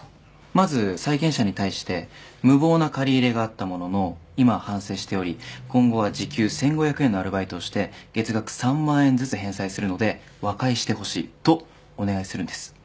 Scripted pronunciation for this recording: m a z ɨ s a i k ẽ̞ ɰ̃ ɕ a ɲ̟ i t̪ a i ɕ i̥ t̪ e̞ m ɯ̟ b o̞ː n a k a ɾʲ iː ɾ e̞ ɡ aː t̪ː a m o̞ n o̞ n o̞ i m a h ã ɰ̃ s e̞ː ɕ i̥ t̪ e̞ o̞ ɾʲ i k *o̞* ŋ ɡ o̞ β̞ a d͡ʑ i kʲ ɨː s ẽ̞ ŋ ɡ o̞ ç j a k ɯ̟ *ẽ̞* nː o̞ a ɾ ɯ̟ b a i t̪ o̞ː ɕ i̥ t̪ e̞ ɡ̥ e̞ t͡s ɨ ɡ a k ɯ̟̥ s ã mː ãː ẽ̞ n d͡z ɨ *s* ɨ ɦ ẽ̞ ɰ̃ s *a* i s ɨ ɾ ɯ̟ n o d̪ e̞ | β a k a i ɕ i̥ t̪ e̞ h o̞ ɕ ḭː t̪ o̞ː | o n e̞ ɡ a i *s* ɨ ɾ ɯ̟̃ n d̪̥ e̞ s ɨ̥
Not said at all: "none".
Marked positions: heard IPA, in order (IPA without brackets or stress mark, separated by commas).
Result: õ̞, e̞, t͡s, a, s